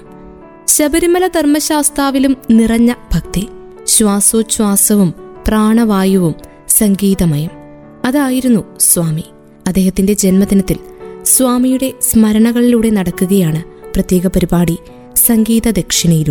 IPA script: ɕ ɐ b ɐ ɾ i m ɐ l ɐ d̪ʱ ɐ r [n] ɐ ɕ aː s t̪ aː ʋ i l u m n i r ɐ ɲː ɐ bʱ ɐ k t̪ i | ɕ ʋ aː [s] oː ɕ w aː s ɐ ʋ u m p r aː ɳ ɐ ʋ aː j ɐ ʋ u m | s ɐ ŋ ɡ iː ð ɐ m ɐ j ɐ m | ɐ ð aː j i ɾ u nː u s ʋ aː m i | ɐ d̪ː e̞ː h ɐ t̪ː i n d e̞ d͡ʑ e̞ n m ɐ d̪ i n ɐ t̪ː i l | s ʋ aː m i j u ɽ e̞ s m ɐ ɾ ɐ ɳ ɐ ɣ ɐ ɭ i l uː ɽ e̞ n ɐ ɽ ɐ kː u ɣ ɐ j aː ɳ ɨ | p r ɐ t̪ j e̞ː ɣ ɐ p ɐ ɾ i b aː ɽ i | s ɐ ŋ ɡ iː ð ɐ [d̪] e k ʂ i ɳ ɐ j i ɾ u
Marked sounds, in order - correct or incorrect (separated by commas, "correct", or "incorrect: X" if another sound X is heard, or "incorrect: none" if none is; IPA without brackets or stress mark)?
incorrect: m, correct, correct